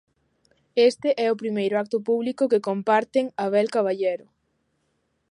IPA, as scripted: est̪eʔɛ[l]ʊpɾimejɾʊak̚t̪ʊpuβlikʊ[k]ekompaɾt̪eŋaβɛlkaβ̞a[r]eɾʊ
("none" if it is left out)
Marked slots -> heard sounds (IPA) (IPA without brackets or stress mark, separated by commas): none, k, ʎ